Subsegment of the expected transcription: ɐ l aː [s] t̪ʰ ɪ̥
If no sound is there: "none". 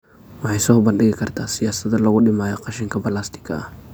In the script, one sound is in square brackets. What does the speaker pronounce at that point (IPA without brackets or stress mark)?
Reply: s